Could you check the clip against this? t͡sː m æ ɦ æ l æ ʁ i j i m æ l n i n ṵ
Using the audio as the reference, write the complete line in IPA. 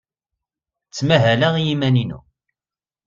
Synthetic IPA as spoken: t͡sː m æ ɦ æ l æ ʁ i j i m æ n i n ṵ